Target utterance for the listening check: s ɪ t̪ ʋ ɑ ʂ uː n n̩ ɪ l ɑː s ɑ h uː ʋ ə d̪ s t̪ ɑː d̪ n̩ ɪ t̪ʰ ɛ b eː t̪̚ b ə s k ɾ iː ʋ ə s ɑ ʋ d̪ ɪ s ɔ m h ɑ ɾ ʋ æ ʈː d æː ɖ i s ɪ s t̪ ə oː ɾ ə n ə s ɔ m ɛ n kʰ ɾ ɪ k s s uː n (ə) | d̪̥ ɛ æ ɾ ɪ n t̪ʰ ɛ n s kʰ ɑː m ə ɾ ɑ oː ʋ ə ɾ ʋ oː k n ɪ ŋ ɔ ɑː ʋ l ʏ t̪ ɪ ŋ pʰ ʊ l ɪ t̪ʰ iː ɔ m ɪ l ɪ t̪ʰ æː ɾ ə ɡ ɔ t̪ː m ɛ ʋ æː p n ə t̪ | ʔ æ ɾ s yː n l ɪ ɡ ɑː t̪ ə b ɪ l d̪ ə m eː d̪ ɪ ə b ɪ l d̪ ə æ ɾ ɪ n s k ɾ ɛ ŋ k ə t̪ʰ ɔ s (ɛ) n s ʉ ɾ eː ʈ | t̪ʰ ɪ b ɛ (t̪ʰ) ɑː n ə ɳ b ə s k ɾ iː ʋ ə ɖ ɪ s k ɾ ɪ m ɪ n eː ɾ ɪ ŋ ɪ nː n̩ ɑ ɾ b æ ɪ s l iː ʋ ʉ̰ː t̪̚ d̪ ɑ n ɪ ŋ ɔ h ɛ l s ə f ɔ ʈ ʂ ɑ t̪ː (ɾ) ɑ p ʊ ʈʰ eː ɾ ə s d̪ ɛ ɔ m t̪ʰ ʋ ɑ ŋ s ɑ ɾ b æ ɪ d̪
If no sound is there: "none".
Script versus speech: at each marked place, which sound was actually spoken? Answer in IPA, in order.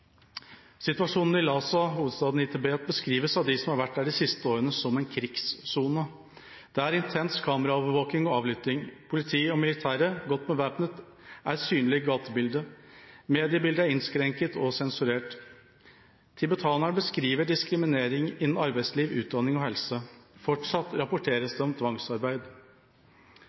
ə, ɛ, t̪ʰ, ɾ

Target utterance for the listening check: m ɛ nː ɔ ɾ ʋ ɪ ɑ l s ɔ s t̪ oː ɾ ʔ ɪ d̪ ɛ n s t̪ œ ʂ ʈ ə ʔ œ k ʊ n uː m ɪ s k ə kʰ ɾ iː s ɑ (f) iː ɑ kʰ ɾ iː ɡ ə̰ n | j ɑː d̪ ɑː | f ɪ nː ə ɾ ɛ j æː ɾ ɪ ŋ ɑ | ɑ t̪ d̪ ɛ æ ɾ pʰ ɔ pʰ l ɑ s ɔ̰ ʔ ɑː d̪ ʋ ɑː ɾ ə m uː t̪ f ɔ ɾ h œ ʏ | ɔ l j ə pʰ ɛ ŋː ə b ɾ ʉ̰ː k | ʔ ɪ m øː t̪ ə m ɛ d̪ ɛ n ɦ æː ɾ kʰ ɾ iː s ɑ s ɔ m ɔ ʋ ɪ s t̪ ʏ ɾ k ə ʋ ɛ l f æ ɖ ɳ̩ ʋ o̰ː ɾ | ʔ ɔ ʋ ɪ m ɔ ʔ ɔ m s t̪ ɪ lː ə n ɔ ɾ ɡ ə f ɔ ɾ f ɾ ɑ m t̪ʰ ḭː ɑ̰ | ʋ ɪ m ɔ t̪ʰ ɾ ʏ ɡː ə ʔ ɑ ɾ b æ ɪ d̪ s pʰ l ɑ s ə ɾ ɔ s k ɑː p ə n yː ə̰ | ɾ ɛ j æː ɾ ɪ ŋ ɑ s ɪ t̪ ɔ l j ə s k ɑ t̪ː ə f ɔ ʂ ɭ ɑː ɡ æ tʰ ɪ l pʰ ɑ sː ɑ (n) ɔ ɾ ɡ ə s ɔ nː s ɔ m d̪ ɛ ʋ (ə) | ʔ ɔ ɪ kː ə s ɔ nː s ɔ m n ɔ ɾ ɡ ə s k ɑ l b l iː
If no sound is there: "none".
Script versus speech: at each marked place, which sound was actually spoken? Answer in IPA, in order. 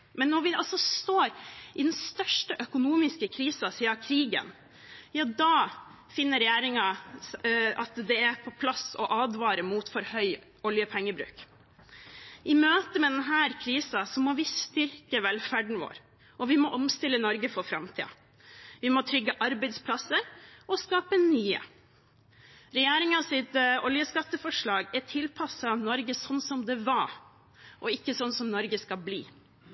s, n, ɑ

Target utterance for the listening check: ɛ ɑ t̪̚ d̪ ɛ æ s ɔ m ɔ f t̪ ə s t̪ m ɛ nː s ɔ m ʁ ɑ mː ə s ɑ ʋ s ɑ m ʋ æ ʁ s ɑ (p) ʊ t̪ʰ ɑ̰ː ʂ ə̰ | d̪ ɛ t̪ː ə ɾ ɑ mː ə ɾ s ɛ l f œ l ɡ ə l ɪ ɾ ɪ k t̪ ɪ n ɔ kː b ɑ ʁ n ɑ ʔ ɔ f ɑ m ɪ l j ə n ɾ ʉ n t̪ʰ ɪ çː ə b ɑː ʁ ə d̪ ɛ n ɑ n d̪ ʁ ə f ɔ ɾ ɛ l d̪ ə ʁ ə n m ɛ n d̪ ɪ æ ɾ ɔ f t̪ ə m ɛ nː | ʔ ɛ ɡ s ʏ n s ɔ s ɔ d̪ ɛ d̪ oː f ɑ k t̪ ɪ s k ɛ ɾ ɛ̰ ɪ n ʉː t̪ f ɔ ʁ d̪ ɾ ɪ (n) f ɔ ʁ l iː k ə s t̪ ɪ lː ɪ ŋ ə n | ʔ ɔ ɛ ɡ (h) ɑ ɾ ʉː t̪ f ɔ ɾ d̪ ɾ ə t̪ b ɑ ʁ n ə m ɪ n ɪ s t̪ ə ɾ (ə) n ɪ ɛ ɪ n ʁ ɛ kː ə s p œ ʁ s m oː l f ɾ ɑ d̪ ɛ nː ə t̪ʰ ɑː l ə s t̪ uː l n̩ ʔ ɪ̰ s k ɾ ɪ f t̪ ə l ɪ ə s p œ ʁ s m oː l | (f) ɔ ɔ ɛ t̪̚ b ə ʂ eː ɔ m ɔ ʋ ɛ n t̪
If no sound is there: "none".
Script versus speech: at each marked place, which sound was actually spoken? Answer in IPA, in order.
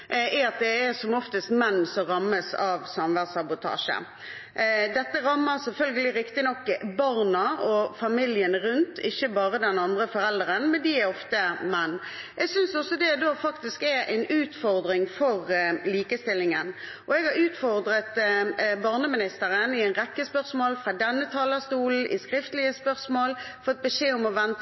b, ŋ, h, ə, f

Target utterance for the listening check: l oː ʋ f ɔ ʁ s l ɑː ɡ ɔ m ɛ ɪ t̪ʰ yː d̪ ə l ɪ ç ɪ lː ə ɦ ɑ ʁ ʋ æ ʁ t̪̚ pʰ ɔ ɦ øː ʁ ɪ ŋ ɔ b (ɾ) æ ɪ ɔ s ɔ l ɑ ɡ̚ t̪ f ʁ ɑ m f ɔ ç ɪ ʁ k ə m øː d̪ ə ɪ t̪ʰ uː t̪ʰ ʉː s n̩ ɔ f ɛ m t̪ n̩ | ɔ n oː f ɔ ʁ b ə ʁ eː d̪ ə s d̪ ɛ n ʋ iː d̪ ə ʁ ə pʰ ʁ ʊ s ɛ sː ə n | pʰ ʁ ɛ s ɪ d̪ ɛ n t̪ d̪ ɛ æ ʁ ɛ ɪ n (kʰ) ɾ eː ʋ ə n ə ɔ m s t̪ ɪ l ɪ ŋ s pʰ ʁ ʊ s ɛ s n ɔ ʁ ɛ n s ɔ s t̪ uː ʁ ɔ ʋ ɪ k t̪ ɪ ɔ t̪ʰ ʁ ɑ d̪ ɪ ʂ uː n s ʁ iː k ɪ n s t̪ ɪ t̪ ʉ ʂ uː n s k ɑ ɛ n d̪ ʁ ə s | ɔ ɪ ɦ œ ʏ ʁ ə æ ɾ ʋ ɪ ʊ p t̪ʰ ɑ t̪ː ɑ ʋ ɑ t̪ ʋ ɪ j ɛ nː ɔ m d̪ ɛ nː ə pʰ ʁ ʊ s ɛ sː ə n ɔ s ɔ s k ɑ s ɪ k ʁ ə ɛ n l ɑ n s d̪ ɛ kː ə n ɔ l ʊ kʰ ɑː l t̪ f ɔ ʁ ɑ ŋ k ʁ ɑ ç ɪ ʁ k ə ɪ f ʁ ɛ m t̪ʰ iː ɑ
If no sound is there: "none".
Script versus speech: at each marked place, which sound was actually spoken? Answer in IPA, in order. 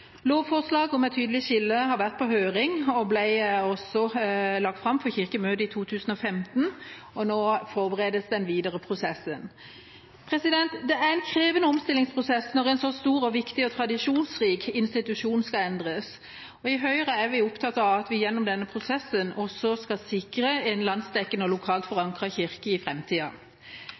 l, kʰ

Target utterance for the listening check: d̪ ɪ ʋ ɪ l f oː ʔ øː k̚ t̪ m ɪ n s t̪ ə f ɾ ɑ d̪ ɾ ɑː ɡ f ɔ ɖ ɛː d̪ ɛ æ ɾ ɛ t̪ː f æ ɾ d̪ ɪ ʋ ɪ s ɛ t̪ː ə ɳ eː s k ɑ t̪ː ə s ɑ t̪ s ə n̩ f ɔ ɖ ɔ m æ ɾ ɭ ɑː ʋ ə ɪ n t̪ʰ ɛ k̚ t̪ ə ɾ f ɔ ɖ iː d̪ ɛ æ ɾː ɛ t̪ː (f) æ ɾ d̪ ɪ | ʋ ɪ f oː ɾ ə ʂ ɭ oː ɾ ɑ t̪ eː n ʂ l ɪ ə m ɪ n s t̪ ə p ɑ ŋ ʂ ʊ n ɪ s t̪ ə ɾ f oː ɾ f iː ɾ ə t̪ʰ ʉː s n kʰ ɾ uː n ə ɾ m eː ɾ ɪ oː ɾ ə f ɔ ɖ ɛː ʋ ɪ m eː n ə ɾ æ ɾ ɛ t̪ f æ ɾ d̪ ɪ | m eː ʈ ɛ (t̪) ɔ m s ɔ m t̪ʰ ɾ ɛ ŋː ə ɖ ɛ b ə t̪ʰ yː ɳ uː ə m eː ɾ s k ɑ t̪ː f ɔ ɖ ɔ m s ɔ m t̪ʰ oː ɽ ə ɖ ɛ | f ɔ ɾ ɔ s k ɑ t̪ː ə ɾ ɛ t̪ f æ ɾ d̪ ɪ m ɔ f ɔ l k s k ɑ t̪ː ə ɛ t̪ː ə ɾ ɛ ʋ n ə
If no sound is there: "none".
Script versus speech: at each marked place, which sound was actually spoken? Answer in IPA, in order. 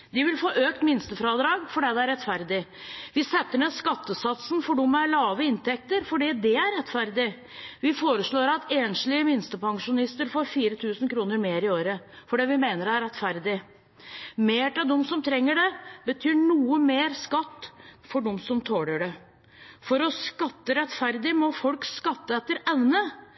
f, d̪

